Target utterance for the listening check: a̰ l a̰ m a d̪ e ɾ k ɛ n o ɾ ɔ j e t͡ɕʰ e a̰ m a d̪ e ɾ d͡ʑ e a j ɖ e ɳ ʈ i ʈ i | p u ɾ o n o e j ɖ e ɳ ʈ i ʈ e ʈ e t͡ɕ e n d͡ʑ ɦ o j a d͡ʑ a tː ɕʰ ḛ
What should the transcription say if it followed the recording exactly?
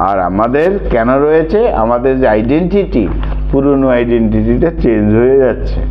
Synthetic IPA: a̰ ɾ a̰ m a d̪ e ɾ k ɛ n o ɾ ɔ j e t͡ɕʰ e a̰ m a d̪ e ɾ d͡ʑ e a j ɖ e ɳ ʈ i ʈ i | p u ɾ o n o a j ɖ e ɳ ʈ i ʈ i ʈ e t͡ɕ e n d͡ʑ ɦ o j e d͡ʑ a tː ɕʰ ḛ